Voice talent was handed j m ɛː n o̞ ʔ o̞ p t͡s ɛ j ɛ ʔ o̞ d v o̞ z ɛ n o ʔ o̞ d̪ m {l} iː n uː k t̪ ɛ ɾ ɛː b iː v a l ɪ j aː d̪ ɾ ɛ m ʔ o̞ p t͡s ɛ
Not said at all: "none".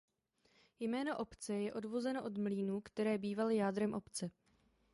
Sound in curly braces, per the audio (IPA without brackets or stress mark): l